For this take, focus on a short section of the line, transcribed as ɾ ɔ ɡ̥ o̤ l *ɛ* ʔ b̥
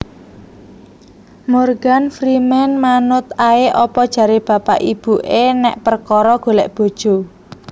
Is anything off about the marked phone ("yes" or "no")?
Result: no